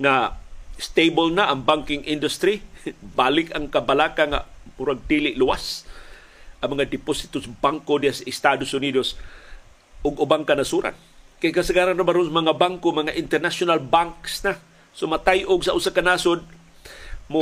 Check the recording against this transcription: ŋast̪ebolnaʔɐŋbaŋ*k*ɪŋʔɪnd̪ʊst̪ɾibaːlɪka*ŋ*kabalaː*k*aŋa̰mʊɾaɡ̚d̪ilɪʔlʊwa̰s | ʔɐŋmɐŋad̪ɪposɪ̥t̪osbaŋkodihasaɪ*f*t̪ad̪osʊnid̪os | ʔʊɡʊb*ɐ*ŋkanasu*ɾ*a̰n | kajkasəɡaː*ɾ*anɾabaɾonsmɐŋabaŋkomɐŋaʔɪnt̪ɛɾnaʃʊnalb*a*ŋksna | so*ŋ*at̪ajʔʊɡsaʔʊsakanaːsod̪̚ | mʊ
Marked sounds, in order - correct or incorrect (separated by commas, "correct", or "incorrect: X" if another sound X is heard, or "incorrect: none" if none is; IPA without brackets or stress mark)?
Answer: correct, correct, correct, incorrect: s, incorrect: a, correct, correct, correct, incorrect: m